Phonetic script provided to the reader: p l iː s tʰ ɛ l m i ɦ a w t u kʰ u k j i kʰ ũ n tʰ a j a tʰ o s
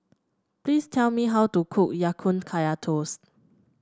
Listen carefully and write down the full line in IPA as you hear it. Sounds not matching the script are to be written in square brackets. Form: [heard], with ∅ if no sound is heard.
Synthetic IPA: p l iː s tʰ ɛ l m i ɦ a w t u kʰ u k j [a] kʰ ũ n [kʰ] a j a tʰ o s